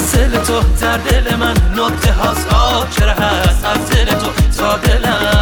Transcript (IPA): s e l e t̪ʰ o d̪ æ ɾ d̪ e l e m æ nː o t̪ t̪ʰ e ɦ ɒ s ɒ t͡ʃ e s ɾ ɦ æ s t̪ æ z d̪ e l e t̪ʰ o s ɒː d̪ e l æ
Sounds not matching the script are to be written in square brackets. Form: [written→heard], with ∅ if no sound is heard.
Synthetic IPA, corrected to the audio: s e l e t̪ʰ o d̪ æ ɾ d̪ e l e m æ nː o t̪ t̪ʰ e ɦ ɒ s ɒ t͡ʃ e [s→∅] ɾ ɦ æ s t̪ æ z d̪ e l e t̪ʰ o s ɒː d̪ e l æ